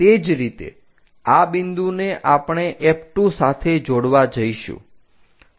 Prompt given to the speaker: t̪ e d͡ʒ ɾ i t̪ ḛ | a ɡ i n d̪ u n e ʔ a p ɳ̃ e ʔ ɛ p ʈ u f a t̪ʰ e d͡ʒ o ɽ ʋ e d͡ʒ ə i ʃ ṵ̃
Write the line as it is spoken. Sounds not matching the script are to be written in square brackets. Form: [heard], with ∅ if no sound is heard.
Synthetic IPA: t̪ e d͡ʒ ɾ i t̪ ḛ | a [b] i n d̪ u n e ʔ a p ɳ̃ e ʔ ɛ p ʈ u [s] a t̪ʰ e d͡ʒ o ɽ ʋ [a] d͡ʒ ə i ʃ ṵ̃